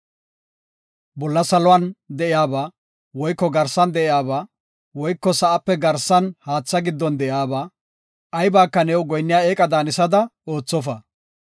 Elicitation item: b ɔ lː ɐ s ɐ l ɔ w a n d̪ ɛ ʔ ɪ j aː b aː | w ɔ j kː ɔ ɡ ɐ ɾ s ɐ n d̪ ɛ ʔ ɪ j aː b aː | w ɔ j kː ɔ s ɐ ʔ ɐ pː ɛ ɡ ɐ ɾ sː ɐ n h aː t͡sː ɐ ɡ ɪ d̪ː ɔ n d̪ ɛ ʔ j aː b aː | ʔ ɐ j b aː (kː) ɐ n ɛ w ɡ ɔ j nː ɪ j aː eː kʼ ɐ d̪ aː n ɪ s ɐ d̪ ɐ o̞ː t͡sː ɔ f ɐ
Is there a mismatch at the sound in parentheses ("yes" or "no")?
no